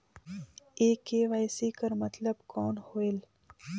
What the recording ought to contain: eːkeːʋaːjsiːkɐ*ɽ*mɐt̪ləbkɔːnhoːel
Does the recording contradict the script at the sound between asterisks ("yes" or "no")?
yes